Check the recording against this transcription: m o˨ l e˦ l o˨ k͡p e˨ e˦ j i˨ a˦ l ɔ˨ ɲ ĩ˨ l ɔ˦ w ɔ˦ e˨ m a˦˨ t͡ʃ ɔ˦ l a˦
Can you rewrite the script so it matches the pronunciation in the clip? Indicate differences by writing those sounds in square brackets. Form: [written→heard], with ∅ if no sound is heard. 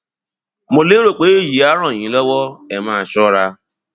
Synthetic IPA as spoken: m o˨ l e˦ [l→ɾ] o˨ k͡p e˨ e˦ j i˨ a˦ [l→ɾ] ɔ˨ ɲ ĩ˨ l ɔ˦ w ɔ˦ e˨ m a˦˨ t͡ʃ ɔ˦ [l→ɾ] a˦